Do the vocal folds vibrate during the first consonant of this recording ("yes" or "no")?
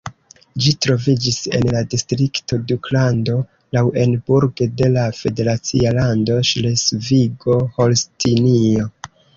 yes